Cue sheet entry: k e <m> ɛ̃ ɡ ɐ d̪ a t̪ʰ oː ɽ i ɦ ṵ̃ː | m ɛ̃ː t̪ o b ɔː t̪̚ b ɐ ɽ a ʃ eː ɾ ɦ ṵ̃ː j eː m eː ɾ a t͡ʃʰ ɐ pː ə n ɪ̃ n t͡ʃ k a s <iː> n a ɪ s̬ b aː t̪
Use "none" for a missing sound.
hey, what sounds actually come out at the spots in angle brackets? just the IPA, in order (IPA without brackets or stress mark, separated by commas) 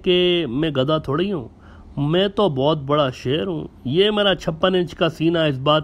m, iː